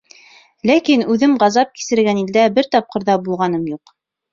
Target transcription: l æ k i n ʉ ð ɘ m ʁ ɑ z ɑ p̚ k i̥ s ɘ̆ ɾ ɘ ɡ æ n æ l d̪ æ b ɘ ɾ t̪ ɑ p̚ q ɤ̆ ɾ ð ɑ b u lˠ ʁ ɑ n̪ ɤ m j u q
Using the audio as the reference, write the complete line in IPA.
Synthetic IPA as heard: l æ k i n ʉ ð ɘ m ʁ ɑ z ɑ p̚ k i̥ s ɘ̆ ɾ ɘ ɡ æ n i l d̪ æ b ɘ ɾ t̪ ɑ p̚ q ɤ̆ ɾ ð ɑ b u lˠ ʁ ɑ n̪ ɤ m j u q